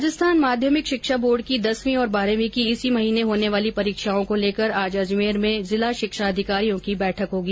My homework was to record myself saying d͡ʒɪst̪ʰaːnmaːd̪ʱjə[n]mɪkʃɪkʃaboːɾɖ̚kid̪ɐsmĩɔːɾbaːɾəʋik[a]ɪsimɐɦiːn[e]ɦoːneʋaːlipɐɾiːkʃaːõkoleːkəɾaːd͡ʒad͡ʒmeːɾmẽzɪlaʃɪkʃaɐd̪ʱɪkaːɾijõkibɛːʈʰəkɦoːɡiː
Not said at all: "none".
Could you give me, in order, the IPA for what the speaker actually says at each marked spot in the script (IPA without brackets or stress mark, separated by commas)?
none, i, e